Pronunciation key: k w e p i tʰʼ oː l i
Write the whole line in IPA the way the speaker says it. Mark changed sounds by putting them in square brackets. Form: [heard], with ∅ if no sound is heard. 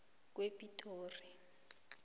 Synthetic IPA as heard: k w e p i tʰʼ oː [r] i